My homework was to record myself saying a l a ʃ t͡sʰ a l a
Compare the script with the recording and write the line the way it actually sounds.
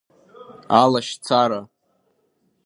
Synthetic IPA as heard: a l a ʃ t͡sʰ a ɾ a